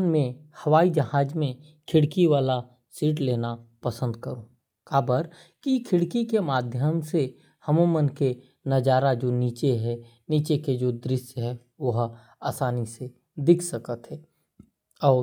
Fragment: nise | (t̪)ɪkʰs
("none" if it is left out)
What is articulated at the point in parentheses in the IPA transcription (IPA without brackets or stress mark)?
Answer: d̪